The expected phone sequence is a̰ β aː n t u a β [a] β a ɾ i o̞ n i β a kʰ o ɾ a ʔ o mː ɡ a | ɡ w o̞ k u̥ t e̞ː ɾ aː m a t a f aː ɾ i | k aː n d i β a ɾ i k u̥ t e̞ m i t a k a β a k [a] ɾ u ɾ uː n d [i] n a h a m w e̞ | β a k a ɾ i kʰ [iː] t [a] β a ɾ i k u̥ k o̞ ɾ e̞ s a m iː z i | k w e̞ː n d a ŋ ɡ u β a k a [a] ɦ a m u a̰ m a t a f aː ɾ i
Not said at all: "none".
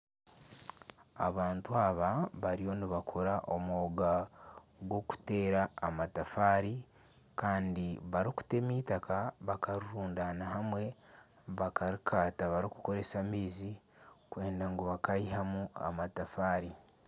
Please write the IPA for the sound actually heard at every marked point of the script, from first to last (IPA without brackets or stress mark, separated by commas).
a, a, a, aː, a, i